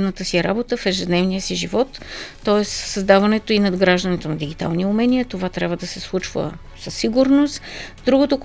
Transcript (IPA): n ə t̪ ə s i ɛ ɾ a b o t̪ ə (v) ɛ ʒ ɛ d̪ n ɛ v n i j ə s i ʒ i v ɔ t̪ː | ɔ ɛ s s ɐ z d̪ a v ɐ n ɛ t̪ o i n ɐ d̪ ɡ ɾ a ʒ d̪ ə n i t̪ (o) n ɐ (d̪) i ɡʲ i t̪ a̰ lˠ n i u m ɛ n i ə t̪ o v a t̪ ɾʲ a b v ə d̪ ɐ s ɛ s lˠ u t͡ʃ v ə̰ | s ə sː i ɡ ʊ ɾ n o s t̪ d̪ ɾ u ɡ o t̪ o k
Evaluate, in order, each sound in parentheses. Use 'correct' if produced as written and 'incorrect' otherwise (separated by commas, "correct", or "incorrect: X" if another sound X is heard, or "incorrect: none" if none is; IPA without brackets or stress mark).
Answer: incorrect: f, correct, correct